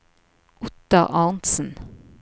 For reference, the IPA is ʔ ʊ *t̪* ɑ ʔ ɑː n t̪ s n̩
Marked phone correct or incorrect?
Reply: correct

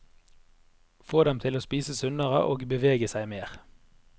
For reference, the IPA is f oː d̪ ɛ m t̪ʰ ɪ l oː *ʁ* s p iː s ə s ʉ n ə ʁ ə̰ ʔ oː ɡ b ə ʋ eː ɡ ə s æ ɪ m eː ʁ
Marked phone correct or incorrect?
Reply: incorrect: none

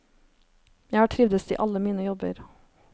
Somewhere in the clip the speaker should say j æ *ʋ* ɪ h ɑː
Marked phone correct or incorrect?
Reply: incorrect: none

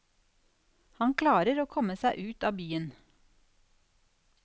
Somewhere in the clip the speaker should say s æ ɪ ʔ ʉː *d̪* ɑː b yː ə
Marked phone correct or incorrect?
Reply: incorrect: t̪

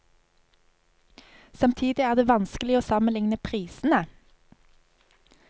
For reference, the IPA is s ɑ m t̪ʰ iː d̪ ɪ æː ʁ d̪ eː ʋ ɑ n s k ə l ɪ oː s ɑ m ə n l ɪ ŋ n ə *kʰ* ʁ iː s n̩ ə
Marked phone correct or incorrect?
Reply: incorrect: pʰ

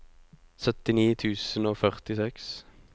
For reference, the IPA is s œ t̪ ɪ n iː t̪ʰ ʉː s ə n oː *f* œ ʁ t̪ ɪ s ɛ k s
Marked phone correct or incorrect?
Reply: correct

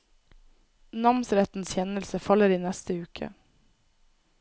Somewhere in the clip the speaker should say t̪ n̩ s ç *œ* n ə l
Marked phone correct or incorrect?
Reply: incorrect: ɛ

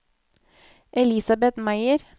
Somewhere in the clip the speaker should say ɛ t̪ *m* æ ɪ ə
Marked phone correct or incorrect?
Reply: correct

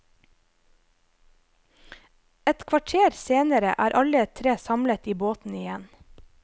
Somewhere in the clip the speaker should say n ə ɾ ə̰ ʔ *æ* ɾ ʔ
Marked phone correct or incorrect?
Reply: incorrect: æː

